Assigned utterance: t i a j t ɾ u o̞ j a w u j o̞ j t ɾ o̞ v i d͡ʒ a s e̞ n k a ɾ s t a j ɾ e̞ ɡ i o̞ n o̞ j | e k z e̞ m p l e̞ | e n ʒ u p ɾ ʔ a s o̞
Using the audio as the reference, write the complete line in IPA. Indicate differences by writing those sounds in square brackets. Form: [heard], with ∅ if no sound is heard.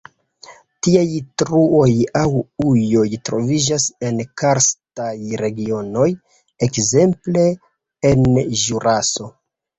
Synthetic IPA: t i a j t ɾ u o̞ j a w u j o̞ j t ɾ o̞ v i d͡ʒ a s e̞ n k a ɾ s t a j ɾ e̞ ɡ i o̞ n o̞ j | e k z e̞ m p l e̞ | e n ʒ u [∅] ɾ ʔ a s o̞